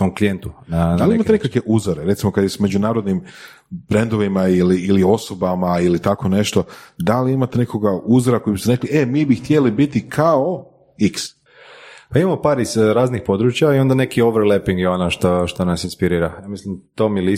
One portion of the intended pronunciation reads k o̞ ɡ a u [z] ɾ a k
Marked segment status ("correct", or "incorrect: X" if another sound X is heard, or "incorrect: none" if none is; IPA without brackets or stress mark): correct